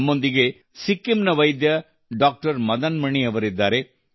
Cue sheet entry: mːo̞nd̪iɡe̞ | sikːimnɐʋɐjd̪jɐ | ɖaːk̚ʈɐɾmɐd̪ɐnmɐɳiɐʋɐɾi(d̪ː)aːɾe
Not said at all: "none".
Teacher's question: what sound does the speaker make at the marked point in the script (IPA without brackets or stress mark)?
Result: d̪ː